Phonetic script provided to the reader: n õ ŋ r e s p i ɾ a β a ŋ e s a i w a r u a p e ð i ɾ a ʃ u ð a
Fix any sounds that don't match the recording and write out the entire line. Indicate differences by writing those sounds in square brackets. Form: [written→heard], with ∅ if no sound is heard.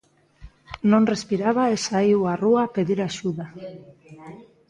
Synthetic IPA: n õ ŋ r e s p i ɾ a β a [ŋ→∅] e s a i w a r u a p e ð i ɾ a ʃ u ð a